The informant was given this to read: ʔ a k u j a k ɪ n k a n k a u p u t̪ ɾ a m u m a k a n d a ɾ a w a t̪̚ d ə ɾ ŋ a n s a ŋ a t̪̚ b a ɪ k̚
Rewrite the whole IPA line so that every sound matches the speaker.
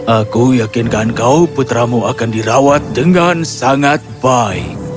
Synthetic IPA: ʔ a k u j a k ɪ n k a n k a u p u t̪ ɾ a m u a k a n d i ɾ a w a t̪̚ d ə ŋ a n s a ŋ a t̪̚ b a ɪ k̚